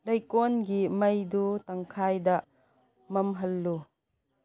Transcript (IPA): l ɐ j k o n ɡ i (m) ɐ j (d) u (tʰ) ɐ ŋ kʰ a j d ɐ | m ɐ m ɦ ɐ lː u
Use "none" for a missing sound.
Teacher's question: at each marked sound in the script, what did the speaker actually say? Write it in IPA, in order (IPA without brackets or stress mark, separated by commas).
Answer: m, d, t